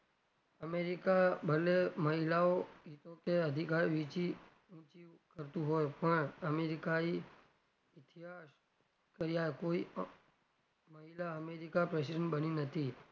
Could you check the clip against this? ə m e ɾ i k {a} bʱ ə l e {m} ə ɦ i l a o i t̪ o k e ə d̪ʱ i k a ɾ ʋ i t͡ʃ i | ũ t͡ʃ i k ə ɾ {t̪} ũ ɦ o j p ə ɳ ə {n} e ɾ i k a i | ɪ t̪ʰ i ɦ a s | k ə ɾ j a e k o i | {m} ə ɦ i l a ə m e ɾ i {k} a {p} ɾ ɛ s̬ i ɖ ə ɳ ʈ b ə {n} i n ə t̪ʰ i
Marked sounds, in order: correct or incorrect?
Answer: correct, correct, correct, incorrect, correct, correct, correct, correct

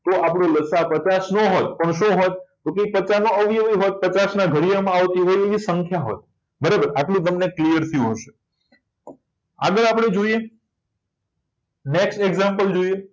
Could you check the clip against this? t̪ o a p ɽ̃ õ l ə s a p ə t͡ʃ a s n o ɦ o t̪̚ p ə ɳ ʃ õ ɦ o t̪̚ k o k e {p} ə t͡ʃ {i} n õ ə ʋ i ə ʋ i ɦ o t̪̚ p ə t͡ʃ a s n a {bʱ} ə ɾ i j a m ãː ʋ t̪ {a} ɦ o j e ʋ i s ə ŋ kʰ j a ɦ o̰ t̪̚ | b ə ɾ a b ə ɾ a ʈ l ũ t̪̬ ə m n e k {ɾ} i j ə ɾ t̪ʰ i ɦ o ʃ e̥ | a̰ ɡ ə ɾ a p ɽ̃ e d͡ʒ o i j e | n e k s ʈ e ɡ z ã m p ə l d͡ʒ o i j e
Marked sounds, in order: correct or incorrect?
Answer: correct, incorrect, incorrect, incorrect, incorrect

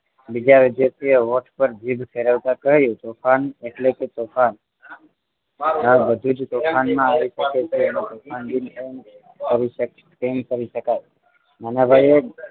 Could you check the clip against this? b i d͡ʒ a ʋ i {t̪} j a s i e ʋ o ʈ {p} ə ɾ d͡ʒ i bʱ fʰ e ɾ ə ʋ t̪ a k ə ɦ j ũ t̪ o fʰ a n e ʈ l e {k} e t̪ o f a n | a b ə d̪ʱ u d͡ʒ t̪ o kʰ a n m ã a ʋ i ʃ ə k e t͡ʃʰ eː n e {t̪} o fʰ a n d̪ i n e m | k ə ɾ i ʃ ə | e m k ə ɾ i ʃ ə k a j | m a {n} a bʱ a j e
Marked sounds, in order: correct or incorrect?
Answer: incorrect, correct, correct, correct, correct

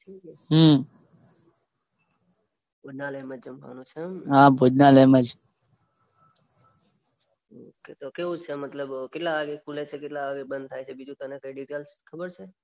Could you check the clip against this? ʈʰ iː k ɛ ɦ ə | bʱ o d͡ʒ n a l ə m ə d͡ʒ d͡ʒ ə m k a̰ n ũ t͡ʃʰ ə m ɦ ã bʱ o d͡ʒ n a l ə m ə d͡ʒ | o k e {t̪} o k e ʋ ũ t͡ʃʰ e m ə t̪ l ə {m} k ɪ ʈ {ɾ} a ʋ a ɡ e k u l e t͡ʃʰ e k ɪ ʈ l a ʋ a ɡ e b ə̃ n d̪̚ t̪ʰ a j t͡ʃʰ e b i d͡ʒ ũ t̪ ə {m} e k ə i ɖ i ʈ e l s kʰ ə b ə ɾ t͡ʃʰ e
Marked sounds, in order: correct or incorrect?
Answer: correct, incorrect, incorrect, incorrect

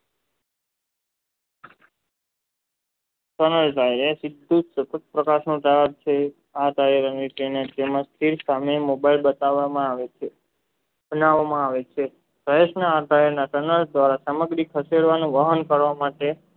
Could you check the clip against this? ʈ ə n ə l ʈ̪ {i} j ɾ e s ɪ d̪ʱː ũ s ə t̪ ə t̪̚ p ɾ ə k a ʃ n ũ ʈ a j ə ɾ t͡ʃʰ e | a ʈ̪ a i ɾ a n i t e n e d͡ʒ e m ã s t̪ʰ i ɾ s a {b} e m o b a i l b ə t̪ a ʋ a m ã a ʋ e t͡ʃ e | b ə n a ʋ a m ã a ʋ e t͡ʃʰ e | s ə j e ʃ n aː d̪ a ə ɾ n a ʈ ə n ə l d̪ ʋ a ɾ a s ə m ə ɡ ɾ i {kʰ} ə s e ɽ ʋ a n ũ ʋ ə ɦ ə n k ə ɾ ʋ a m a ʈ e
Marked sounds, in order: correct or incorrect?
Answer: incorrect, incorrect, correct

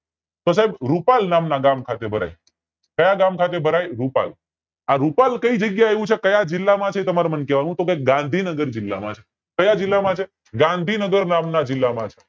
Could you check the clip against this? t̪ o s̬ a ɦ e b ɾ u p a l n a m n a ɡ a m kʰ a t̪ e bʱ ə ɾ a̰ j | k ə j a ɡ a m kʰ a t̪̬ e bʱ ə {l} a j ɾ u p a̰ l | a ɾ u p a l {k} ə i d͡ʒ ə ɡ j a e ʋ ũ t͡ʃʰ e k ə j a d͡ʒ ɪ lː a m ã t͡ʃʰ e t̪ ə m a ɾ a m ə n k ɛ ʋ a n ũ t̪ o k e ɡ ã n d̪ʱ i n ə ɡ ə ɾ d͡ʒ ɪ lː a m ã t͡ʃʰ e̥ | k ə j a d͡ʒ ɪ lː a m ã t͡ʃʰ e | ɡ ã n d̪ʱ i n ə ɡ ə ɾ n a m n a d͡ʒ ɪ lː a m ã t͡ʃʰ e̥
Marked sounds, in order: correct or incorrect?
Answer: incorrect, correct

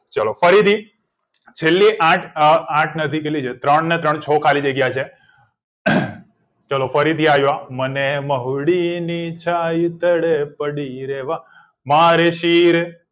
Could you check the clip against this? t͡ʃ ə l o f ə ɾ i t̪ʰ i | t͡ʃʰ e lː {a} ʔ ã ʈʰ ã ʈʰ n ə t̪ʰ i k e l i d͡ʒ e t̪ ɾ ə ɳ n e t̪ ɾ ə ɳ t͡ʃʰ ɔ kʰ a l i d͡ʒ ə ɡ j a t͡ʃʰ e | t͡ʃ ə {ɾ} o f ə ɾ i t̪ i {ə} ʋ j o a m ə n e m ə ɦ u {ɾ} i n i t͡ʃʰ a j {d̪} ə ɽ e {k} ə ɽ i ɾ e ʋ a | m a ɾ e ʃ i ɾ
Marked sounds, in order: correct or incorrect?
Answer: incorrect, incorrect, incorrect, incorrect, incorrect, incorrect

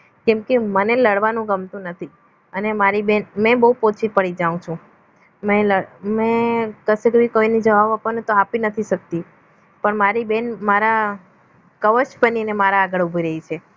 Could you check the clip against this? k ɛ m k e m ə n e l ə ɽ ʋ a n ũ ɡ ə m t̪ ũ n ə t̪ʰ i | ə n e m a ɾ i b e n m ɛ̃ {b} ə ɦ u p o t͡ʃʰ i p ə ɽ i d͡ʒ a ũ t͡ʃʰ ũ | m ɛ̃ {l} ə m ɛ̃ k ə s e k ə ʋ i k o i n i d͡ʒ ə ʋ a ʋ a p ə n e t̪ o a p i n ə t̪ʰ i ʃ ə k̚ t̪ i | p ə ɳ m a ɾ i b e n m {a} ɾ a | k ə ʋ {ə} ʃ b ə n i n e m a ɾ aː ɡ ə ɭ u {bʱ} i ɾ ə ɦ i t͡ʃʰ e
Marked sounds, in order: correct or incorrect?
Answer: correct, correct, correct, correct, correct

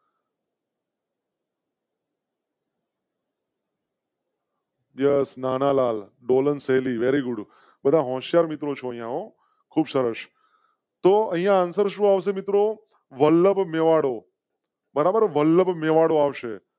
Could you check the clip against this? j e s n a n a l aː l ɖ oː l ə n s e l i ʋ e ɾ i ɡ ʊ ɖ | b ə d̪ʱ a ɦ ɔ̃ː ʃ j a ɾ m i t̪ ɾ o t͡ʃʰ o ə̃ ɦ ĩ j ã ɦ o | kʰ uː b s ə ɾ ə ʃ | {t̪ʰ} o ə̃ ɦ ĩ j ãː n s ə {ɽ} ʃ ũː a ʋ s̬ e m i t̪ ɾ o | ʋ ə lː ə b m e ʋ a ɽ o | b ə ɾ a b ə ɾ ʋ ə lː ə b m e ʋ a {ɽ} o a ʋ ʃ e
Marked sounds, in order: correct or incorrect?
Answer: incorrect, incorrect, correct

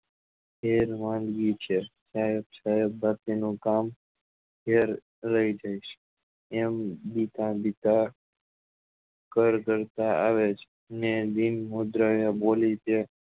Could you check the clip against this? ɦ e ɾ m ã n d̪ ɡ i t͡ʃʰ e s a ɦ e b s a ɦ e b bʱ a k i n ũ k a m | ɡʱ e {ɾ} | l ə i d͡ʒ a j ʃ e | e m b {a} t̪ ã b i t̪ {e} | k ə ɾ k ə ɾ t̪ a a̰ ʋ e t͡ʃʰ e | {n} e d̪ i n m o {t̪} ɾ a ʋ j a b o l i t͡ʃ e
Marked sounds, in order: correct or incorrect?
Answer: correct, incorrect, incorrect, correct, incorrect

